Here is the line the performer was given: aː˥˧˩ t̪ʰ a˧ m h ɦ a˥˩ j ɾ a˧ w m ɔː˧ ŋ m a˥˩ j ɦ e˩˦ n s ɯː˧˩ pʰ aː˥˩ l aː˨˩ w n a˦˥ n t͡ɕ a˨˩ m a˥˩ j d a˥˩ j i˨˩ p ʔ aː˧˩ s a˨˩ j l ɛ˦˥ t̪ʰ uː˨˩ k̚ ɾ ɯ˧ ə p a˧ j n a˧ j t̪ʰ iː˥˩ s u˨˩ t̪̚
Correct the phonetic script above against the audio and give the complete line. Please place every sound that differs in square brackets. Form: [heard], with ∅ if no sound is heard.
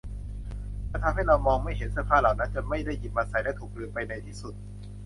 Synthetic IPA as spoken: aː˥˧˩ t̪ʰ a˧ m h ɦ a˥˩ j ɾ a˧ w m ɔː˧ ŋ m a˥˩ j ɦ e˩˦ n s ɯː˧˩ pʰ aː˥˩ l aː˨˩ w n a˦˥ n t͡ɕ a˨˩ m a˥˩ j d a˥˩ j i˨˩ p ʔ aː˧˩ s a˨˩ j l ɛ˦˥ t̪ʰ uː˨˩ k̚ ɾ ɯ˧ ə p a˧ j n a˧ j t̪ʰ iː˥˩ s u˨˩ t̪̚